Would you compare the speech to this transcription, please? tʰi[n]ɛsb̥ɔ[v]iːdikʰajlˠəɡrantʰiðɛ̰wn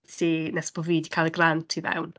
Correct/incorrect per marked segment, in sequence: correct, correct

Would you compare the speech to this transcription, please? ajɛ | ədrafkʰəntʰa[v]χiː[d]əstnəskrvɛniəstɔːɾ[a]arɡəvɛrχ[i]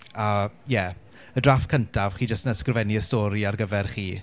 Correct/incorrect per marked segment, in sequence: correct, incorrect: d͡ʒ, incorrect: i, incorrect: iː

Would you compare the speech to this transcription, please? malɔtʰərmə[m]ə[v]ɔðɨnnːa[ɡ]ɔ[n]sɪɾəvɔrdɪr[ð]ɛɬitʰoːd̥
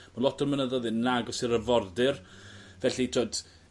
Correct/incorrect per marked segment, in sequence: incorrect: n, incorrect: ð, correct, incorrect: none, incorrect: v

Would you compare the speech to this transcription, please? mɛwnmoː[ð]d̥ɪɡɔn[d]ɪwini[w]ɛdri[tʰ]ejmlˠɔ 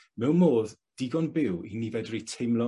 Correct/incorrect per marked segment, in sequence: correct, incorrect: b, incorrect: v, correct

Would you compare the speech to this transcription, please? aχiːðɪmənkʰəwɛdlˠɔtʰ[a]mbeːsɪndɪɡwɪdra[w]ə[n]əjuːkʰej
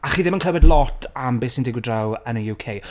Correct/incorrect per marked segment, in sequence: correct, correct, correct

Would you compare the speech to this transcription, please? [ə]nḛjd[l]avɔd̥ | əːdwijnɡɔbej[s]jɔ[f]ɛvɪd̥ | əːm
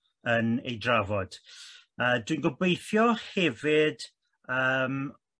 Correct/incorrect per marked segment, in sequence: correct, incorrect: r, incorrect: θ, incorrect: h

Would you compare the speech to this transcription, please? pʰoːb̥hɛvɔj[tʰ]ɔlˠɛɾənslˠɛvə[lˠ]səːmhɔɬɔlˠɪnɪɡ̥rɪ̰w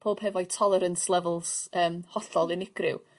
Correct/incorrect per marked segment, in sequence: correct, correct

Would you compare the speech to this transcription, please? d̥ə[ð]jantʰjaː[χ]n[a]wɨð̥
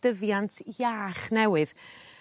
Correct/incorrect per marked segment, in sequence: incorrect: v, correct, incorrect: ɛ

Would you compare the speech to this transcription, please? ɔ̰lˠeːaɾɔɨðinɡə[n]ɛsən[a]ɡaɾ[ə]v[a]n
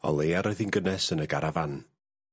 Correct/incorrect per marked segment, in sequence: correct, incorrect: ə, incorrect: a, correct

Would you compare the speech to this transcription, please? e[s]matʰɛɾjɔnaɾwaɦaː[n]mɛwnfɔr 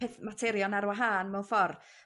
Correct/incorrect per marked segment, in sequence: incorrect: θ, correct

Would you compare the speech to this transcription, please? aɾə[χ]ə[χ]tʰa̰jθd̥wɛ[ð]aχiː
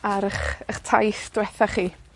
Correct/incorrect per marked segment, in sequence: correct, correct, incorrect: θ

